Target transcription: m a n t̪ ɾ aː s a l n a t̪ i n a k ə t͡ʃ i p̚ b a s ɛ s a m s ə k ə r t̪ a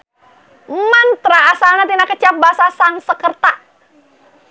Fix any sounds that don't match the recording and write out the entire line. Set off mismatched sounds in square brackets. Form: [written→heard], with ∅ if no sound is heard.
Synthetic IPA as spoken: m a n t̪ ɾ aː s a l n a t̪ i n a k ə t͡ʃ [i→a] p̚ b a s [ɛ→a] s a [m→ŋ] s ə k ə r t̪ a